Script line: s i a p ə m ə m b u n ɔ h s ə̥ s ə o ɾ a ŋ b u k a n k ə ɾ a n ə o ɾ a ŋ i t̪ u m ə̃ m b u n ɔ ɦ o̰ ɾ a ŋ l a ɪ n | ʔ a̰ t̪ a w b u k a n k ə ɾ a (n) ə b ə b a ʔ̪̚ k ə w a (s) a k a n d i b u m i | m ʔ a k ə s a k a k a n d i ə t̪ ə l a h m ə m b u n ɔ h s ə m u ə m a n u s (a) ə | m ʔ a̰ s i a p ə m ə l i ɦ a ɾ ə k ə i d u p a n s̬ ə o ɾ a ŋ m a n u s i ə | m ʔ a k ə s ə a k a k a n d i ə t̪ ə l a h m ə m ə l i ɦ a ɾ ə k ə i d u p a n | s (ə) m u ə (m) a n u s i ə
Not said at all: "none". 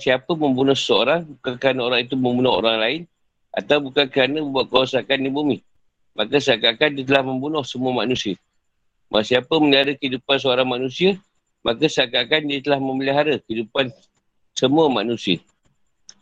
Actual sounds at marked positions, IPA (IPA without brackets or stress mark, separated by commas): n, s, i, ə, m